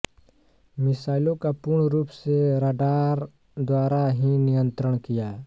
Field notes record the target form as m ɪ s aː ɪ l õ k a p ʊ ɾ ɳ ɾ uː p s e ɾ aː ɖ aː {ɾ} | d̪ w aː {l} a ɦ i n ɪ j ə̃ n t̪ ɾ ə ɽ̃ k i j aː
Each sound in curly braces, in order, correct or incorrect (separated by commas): correct, incorrect